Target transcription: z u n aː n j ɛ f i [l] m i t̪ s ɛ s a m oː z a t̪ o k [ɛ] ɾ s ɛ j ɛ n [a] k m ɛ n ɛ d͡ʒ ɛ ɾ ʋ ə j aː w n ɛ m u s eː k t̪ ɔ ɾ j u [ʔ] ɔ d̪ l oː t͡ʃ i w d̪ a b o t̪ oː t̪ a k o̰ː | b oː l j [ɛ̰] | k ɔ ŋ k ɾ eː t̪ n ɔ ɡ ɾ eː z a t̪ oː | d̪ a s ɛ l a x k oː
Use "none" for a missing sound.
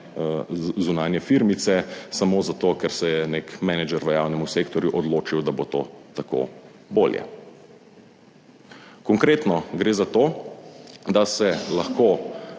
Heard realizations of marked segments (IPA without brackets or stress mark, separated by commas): ɾ, ɛ, e, ʔ, ɛ̰